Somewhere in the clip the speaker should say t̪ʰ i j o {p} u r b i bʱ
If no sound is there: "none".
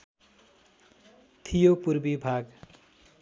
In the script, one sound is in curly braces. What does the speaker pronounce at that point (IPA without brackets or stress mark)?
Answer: p